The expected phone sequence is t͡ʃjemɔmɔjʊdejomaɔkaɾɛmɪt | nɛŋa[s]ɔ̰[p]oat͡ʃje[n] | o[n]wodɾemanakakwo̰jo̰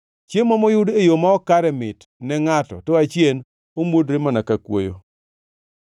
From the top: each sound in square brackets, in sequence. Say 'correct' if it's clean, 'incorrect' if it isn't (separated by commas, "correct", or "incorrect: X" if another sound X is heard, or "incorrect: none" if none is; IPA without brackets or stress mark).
incorrect: t, incorrect: t, correct, incorrect: m